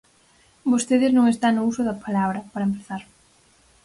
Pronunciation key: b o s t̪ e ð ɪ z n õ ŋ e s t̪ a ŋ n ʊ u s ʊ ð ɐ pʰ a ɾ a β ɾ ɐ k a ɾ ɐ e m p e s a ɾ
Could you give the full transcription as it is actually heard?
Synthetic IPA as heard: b o s t̪ e ð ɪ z n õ ŋ e s t̪ a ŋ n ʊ u s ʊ ð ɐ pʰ a l a β ɾ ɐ p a ɾ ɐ e m p e θ a ɾ

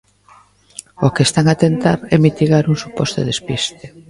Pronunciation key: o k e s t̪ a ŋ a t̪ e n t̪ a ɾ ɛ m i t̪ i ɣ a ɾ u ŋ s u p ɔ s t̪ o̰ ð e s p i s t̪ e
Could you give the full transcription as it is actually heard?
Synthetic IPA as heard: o k e s t̪ a ŋ a t̪ e n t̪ a ɾ ɛ m i t̪ i ɣ a ɾ u ŋ s u p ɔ s t̪ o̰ ð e s p i s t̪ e

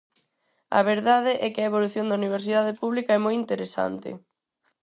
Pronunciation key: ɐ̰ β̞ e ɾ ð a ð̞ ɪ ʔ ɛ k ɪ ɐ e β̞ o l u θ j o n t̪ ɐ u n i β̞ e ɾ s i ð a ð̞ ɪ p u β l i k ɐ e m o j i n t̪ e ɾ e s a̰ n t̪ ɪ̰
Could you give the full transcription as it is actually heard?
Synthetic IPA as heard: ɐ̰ β̞ e ɾ ð a ð̞ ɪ ʔ ɛ k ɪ ɐ e β̞ o l u θ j o n d̪ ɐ u n i β̞ e ɾ s i ð a ð̞ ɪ p u β l i k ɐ ɛ m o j i n t̪ e ɾ e s a̰ n t̪ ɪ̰

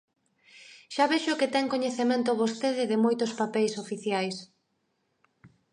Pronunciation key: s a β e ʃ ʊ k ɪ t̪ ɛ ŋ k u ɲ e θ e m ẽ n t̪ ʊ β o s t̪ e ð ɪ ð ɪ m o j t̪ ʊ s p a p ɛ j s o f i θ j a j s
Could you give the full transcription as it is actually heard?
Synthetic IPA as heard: ʃ a β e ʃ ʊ k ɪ t̪ ɛ ŋ k o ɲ e θ e m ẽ n t̪ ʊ β o s t̪ e ð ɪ ð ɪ m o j t̪ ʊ s p a p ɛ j s o f i θ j a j s

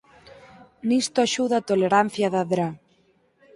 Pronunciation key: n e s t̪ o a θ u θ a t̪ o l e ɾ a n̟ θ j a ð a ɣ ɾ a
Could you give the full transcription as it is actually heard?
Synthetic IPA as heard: n i s t̪ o a ʃ u ð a t̪ o l e ɾ a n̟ θ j a ð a ð ɾ a

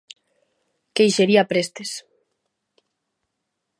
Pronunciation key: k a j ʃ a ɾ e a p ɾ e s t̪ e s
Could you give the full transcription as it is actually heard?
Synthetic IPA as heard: k e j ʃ e ɾ i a p ɾ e s t̪ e s

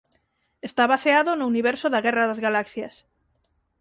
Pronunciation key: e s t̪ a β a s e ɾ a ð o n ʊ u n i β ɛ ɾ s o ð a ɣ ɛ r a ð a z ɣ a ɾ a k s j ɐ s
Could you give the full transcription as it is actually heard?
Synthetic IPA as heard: e s t̪ a β a s e a ð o n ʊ u n i β ɛ ɾ s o ð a ɣ ɛ r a ð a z ɣ a l a k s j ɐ s

